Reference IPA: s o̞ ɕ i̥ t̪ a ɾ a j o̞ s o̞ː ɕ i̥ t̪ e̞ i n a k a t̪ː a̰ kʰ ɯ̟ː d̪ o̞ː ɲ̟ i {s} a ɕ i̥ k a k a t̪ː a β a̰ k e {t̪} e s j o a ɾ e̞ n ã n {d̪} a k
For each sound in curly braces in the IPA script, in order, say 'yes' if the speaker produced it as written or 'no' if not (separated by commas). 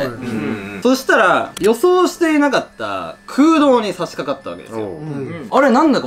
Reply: yes, no, yes